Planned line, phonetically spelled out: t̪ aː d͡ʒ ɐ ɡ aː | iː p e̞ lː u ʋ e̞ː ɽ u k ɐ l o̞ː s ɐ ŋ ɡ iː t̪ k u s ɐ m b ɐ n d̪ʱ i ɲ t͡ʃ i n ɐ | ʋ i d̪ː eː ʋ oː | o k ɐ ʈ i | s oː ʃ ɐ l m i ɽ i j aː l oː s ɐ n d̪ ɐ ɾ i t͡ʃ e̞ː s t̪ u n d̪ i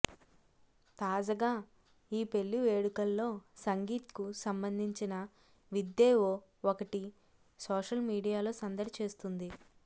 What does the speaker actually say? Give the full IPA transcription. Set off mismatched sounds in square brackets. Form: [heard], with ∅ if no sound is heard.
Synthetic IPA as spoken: t̪ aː d͡ʒ ɐ ɡ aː | iː p e̞ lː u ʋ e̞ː ɽ u k ɐ [lː] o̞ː s ɐ ŋ ɡ iː t̪ k u s ɐ m b ɐ n d̪ʱ i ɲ t͡ʃ i n ɐ | ʋ i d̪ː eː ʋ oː | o k ɐ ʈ i | s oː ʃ ɐ l m [iː] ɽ i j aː l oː s ɐ n d̪ ɐ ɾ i t͡ʃ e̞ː s t̪ u n d̪ i